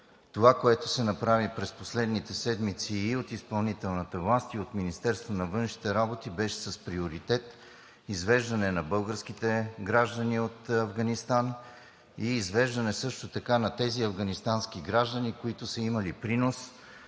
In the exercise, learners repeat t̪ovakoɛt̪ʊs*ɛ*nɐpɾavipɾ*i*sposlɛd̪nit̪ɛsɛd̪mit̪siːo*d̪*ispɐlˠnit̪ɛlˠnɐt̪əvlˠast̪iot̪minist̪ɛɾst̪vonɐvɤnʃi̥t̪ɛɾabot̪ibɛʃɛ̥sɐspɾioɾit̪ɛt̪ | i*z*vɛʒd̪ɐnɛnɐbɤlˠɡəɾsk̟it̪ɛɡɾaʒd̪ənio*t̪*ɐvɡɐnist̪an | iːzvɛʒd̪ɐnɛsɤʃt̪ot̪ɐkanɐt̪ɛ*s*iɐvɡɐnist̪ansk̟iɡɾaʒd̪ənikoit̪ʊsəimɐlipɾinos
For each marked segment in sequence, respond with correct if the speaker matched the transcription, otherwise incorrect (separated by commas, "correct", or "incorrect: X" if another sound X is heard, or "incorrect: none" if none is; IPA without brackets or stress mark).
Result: correct, incorrect: ɛ, incorrect: t̪, correct, correct, incorrect: z